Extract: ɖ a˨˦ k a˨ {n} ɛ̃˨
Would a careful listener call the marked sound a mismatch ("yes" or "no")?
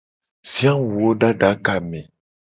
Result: yes